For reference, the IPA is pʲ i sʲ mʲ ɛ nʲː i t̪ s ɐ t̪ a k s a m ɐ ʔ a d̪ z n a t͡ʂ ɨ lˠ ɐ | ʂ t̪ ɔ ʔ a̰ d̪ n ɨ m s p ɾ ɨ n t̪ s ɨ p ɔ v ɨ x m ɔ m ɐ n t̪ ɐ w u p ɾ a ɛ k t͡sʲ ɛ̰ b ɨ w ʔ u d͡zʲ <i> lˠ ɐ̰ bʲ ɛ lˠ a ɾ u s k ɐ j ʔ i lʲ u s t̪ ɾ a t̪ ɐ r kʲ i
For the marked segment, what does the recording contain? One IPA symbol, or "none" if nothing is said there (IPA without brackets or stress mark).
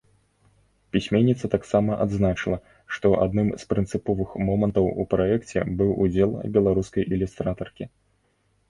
ɛ